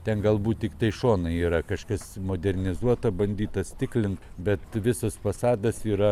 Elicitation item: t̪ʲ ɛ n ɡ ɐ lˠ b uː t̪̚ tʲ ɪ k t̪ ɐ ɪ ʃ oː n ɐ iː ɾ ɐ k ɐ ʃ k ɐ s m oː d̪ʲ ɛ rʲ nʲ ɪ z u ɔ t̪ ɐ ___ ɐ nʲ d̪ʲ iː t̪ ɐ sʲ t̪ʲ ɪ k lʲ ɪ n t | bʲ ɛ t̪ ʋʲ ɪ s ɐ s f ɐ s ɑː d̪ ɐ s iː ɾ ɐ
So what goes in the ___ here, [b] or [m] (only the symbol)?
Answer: b